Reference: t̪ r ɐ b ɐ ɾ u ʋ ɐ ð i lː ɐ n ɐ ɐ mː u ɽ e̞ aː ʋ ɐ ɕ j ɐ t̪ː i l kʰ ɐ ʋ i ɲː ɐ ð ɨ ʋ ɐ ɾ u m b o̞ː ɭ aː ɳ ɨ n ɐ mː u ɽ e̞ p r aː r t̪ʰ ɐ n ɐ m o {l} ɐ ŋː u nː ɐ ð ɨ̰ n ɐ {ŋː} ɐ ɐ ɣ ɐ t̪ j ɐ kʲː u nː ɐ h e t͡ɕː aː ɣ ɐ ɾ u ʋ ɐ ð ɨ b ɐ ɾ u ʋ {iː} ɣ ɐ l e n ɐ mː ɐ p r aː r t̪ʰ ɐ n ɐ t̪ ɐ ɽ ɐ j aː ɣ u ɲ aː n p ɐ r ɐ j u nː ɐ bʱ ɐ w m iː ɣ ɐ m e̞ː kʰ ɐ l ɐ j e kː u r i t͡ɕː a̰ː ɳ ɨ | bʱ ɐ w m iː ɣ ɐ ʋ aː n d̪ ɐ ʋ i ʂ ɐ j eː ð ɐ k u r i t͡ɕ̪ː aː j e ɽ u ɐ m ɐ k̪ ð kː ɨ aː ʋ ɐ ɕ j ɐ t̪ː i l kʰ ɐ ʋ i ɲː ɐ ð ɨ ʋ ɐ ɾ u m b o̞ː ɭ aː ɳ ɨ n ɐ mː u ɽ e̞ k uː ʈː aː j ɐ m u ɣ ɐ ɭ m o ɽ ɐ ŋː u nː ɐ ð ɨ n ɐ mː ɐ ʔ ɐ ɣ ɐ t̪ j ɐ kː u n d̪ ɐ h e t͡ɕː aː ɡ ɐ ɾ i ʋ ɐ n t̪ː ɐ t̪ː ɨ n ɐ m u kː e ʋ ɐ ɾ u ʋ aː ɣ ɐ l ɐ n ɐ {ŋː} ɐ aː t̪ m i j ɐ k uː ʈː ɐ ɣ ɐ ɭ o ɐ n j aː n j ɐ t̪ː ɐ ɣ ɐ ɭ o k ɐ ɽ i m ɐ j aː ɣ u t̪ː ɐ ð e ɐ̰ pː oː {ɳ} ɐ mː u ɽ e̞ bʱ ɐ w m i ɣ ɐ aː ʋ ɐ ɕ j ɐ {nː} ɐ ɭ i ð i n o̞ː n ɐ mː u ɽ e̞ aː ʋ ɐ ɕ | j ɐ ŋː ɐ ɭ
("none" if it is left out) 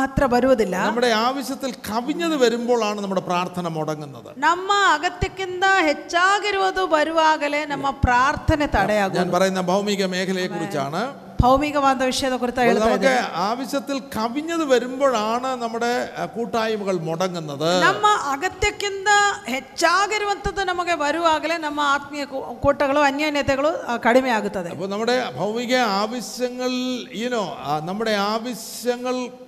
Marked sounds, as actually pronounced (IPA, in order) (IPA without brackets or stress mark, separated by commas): ɽ, mː, aː, mː, n, ŋː